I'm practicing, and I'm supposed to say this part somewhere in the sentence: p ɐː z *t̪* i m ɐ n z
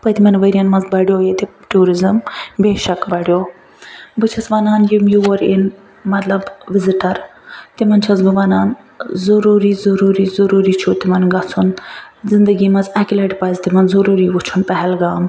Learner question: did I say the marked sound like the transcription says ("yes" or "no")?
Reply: yes